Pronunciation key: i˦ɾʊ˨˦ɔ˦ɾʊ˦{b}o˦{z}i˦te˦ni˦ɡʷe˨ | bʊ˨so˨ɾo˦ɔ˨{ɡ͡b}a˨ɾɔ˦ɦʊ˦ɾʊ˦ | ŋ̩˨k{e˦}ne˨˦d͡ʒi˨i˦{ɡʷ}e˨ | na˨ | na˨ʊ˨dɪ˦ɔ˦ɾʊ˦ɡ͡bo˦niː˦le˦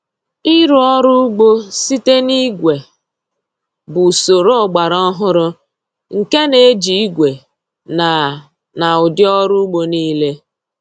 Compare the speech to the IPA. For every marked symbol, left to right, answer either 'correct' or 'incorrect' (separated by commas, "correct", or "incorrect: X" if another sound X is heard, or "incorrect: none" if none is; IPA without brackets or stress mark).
incorrect: ɡ͡b, incorrect: s, correct, correct, correct